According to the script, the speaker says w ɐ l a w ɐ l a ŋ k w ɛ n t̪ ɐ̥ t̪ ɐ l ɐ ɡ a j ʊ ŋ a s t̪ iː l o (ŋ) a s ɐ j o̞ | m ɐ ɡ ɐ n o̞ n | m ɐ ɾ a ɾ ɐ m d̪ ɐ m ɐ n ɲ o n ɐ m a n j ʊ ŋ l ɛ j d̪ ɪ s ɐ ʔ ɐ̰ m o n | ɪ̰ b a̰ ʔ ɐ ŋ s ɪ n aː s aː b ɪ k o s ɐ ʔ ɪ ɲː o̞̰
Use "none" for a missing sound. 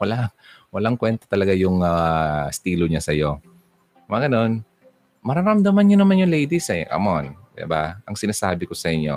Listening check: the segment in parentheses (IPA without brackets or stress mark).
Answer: ɲ